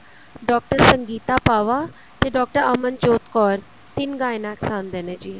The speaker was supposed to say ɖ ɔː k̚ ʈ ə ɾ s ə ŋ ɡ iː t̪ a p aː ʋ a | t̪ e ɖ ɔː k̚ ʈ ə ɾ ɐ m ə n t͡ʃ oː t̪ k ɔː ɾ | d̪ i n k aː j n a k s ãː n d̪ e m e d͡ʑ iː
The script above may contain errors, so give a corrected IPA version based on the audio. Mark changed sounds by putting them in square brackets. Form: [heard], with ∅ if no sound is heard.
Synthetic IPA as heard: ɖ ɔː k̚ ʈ ə ɾ s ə ŋ ɡ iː t̪ a p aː ʋ a | t̪ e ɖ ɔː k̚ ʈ ə ɾ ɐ m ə n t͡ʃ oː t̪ k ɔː ɾ | [t̪] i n [ɡ] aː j n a k s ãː n d̪ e [n] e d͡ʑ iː